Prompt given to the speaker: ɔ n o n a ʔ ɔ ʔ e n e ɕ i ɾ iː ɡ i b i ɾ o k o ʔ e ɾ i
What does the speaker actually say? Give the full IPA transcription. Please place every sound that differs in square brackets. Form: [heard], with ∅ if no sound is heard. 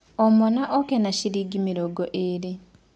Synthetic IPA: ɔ [m] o n a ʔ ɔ [k] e n [a] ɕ i ɾ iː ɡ i [m] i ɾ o [ɡ] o ʔ e ɾ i